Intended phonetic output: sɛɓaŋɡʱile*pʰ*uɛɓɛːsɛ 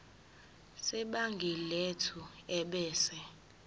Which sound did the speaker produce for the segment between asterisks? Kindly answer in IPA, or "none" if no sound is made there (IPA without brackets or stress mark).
tʰ